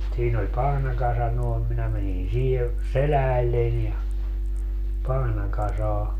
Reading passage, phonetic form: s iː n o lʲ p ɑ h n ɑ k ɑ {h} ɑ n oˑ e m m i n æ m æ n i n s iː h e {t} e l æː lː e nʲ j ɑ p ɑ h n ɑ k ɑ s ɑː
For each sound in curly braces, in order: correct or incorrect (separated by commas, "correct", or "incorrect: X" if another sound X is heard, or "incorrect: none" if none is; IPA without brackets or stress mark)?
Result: incorrect: s, incorrect: s